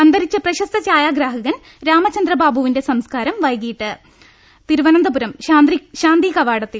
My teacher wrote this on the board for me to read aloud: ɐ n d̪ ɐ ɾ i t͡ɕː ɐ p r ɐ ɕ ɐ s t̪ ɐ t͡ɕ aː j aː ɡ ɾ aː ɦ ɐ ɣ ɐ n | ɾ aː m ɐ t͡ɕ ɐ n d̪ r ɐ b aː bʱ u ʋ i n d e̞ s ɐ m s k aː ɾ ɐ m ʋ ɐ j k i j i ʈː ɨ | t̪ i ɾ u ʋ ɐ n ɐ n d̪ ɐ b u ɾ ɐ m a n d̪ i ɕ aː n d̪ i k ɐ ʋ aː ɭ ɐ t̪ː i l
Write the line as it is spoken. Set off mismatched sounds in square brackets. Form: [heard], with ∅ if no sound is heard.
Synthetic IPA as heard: ɐ n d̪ ɐ ɾ i t͡ɕː ɐ p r ɐ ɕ ɐ s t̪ ɐ t͡ɕ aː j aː ɡ ɾ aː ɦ ɐ ɣ ɐ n | ɾ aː m ɐ t͡ɕ ɐ n d̪ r ɐ b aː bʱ u ʋ i n d e̞ s ɐ m s k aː ɾ ɐ m ʋ ɐ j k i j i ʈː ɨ | t̪ i ɾ u ʋ ɐ n ɐ n d̪ ɐ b u ɾ ɐ m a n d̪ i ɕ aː n d̪ i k ɐ ʋ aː [ɽ] ɐ t̪ː i l